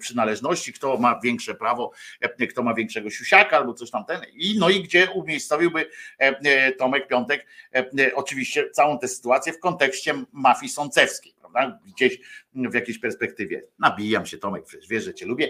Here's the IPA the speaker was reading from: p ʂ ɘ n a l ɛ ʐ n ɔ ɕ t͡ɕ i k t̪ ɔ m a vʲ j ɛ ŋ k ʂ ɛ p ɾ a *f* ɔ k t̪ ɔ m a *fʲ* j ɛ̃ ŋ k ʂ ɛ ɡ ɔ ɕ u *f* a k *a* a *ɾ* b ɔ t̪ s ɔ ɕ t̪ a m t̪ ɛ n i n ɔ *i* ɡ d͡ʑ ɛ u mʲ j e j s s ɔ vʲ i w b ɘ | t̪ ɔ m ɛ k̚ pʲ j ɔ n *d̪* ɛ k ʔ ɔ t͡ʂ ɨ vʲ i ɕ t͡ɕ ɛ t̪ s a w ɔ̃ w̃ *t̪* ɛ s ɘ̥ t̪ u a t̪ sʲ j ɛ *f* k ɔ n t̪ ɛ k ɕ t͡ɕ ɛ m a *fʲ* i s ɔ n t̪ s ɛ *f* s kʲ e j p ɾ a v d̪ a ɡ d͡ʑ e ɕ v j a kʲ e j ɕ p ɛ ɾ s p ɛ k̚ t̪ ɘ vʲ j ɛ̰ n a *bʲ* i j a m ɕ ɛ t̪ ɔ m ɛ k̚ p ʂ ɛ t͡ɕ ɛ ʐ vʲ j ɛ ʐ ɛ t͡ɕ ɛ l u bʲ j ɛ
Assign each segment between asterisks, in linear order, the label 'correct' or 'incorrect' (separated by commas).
incorrect, incorrect, incorrect, correct, incorrect, correct, incorrect, correct, correct, correct, correct, correct